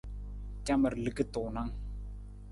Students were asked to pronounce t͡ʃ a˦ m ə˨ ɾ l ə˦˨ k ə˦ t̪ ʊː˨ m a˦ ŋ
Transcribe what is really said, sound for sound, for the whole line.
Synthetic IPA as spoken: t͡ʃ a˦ m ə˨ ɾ l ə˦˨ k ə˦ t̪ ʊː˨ n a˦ ŋ